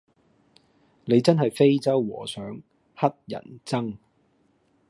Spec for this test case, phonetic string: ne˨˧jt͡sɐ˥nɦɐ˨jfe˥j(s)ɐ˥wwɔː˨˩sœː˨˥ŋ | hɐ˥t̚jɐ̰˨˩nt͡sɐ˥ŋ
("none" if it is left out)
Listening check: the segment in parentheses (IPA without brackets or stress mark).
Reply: t͡s